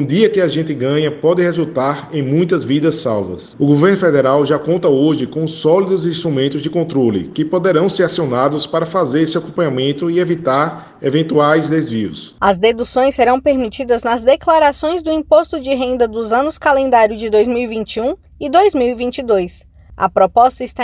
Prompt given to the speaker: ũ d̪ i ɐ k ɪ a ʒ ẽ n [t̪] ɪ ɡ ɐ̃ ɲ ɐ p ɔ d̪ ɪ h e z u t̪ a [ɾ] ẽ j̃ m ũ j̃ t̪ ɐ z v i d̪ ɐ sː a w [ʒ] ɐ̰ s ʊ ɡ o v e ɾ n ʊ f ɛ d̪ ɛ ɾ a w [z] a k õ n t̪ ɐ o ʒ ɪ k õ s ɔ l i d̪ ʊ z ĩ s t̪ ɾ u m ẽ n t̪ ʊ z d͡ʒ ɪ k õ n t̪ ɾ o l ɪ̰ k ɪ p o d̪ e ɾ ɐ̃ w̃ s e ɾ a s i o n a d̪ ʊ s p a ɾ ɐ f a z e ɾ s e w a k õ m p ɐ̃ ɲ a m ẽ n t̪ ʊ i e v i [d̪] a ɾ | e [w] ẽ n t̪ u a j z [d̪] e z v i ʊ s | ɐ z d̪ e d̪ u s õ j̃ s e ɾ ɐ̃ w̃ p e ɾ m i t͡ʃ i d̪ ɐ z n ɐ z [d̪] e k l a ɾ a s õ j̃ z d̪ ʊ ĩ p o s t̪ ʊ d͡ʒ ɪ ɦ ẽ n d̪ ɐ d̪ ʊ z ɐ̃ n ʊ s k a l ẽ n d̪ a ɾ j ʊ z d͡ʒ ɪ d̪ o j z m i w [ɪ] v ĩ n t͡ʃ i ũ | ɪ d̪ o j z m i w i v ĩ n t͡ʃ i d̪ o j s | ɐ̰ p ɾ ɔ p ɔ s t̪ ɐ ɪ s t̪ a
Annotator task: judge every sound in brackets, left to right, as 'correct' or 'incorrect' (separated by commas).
correct, correct, incorrect, incorrect, incorrect, incorrect, correct, correct, incorrect